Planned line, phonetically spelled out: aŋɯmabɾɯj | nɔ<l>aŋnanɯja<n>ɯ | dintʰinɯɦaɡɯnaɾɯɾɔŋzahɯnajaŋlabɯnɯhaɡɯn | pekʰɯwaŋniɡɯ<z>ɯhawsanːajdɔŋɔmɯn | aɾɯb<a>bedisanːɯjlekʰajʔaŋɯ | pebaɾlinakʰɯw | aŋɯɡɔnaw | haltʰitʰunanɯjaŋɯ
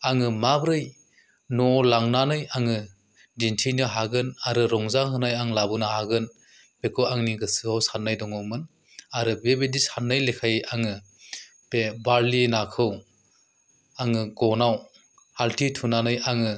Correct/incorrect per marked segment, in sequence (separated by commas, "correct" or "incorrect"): correct, incorrect, incorrect, incorrect